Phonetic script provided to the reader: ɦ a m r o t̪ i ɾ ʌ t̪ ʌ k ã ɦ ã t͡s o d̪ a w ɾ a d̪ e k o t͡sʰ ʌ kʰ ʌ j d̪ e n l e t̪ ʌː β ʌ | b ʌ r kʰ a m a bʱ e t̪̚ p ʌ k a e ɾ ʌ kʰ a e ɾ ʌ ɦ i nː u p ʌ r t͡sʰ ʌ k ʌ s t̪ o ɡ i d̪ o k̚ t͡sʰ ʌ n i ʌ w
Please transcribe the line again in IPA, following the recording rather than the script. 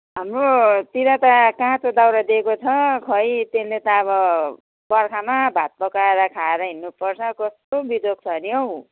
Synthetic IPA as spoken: ɦ a m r o t̪ i ɾ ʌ t̪ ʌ k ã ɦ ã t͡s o d̪ a w ɾ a d̪ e k o t͡sʰ ʌ kʰ ʌ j t̪ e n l e t̪ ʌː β ʌ | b ʌ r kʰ a m a bʱ a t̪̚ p ʌ k a e ɾ ʌ kʰ a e ɾ ʌ ɦ i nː u p ʌ r t͡sʰ ʌ k ʌ s t̪ o b i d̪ o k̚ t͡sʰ ʌ n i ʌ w